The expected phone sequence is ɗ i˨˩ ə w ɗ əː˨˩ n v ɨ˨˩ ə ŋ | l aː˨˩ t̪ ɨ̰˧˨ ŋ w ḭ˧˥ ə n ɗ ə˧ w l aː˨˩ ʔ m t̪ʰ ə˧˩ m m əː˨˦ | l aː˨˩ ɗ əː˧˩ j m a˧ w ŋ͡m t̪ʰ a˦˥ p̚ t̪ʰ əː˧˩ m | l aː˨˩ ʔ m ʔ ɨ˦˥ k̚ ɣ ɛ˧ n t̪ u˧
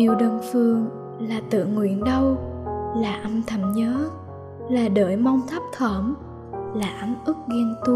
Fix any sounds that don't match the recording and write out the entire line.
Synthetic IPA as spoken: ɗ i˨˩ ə w ɗ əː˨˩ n f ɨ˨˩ ə ŋ | l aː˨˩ t̪ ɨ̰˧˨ ŋ w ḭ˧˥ ə n ɗ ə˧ w l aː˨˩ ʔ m t̪ʰ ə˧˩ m ɲ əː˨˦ | l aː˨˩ ɗ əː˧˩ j m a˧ w ŋ͡m t̪ʰ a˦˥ p̚ t̪ʰ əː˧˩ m | l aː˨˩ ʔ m ʔ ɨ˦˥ k̚ ɣ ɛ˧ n t̪ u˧